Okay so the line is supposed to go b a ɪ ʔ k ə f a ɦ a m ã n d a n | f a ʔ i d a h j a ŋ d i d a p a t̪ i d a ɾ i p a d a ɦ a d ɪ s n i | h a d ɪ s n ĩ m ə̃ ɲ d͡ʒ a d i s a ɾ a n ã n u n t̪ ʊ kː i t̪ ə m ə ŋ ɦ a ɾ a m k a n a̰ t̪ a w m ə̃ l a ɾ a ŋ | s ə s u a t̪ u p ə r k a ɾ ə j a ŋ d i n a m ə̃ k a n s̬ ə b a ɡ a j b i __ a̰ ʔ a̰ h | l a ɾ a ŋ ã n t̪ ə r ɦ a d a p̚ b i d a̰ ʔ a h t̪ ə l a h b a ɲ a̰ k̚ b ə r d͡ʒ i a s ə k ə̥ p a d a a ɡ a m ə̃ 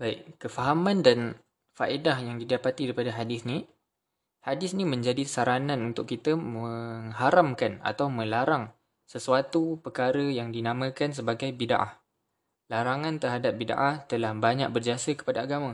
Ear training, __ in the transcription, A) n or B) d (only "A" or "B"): B